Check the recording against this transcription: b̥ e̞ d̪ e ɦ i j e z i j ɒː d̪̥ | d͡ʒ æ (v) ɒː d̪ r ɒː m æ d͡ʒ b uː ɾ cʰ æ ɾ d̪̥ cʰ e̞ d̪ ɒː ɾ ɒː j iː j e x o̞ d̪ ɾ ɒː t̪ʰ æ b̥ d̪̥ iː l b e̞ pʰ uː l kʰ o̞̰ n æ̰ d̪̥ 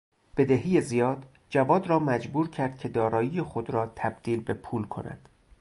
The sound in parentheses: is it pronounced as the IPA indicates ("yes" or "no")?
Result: yes